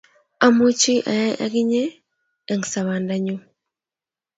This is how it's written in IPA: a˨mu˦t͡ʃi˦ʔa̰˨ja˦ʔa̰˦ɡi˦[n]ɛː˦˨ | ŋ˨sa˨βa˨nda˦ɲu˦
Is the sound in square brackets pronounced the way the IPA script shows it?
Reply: no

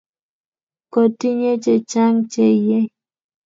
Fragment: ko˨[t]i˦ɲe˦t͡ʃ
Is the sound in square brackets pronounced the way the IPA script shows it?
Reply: yes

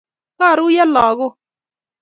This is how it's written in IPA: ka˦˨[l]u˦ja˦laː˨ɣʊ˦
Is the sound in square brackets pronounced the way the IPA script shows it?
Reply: no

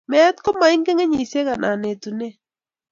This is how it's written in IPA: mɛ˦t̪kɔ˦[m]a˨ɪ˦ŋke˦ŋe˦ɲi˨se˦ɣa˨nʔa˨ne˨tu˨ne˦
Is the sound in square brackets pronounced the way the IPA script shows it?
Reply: yes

